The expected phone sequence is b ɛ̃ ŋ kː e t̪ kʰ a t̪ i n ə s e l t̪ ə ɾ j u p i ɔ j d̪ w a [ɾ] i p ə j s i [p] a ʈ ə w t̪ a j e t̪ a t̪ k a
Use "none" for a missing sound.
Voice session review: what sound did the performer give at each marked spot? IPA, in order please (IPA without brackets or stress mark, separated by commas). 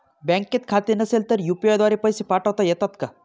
ɾ, p